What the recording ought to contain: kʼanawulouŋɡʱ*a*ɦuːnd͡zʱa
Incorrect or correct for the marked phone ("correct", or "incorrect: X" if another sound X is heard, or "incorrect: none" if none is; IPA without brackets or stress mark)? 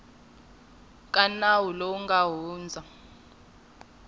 correct